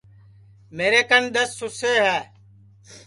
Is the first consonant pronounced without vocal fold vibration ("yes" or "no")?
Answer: no